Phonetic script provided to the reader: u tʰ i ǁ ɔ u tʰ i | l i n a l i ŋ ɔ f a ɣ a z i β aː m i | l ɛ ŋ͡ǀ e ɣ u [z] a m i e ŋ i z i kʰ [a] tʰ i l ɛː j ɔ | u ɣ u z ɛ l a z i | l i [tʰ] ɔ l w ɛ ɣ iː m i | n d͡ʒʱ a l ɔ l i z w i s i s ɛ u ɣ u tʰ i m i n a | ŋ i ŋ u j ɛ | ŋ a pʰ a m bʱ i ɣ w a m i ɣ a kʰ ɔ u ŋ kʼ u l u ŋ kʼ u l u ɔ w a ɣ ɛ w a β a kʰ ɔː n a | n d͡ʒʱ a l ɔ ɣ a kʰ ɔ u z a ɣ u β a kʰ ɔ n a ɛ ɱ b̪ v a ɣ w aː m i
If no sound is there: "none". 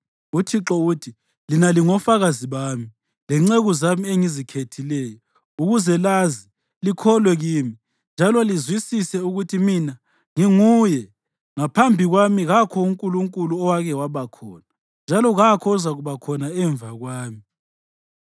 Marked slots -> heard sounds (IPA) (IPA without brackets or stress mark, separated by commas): z, e, kʰ